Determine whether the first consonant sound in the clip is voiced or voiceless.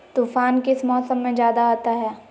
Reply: voiceless